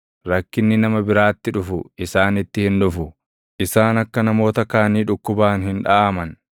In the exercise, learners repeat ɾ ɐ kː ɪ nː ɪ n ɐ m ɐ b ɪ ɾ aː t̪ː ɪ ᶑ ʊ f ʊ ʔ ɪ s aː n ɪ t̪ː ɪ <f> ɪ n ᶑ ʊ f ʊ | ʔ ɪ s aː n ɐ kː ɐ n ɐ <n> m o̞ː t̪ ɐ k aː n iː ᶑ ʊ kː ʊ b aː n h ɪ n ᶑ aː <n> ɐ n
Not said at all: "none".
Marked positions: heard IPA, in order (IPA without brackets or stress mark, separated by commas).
h, none, m